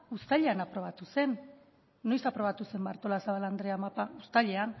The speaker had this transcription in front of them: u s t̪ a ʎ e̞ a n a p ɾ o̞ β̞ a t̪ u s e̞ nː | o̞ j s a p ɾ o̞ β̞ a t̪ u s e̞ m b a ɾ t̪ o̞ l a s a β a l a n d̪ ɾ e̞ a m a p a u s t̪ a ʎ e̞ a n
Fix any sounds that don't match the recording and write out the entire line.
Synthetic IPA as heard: u s t̪ a ʎ e̞ a n a p ɾ o̞ β̞ a t̪ u s e̞ nː | o̞ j s a p ɾ o̞ β̞ a t̪ u s e̞ m b a ɾ t̪ o̞ l a s a β a l a n d̪ ɾ e̞ a m a p a u s t̪ a ʎ e̞ a n